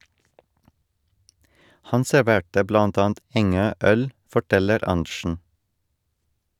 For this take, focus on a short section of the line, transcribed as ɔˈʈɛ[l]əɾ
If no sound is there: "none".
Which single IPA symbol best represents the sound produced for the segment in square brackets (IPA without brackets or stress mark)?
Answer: l